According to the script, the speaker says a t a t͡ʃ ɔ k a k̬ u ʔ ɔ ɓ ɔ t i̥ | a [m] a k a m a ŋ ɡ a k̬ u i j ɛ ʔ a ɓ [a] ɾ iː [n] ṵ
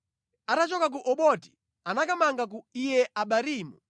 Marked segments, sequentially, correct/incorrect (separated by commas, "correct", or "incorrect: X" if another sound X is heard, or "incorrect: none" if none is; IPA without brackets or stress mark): incorrect: n, correct, incorrect: m